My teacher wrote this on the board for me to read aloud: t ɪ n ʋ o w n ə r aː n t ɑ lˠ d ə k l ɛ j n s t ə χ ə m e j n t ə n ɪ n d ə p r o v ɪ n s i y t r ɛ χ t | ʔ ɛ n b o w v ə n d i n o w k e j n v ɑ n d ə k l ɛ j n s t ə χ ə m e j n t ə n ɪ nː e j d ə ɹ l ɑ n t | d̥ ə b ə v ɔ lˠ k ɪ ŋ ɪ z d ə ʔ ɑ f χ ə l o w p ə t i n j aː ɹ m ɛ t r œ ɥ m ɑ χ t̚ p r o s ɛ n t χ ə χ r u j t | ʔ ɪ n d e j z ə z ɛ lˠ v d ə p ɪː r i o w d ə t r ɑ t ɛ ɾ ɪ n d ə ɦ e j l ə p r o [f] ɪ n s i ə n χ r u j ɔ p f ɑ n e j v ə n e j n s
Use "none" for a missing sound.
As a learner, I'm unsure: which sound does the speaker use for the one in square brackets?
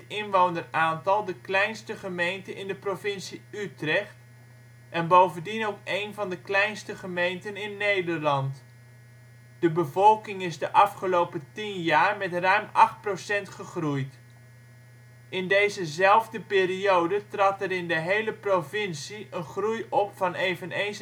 v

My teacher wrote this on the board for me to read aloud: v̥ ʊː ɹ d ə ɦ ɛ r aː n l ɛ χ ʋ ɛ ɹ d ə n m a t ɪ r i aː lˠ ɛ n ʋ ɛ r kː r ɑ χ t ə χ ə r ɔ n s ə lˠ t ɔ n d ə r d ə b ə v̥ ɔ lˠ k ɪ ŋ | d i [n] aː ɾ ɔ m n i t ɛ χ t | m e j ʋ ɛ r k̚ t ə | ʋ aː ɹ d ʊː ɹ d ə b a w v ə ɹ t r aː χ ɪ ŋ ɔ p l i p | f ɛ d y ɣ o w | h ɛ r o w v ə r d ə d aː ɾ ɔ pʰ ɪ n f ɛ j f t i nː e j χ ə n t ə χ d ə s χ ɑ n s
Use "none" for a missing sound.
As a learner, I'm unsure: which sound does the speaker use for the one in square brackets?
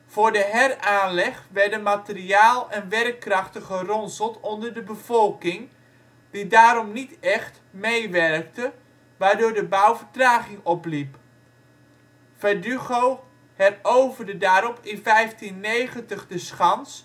d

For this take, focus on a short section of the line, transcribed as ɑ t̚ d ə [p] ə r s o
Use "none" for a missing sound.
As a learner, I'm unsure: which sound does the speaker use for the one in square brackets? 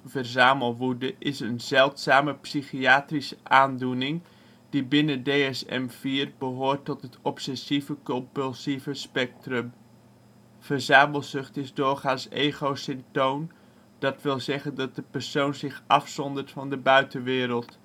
p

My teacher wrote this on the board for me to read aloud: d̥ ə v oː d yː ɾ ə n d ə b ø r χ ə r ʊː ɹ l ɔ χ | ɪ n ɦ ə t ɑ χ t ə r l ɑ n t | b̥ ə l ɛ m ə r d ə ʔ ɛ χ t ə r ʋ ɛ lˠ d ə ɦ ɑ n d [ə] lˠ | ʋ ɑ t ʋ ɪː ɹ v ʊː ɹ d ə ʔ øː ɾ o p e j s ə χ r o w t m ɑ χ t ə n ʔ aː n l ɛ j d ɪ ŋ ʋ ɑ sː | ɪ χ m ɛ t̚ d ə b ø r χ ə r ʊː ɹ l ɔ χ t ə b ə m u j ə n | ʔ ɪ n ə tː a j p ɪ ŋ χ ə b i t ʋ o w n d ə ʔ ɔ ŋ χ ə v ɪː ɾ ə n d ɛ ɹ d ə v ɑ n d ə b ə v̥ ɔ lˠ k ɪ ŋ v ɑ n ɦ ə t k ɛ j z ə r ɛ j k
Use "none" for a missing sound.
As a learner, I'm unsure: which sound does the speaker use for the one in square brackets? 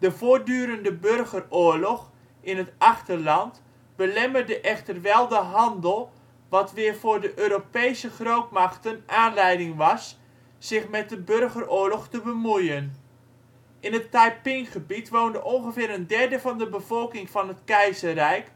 ə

